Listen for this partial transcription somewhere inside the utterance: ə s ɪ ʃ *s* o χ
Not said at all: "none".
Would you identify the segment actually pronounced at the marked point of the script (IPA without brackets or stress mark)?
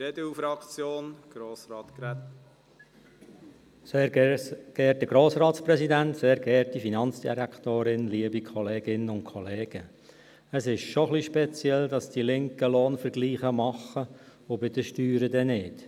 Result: ʃ